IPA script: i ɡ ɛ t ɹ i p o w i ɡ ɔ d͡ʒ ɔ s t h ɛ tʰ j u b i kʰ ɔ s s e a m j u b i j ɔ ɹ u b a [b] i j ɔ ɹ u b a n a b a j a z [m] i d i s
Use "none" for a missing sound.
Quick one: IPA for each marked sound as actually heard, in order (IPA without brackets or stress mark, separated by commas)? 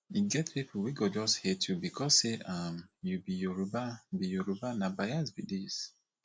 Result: b, b